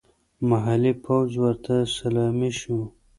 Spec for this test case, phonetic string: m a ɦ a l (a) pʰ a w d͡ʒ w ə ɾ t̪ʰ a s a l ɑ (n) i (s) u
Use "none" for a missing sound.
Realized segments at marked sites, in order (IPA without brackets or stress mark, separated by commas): i, m, ʃ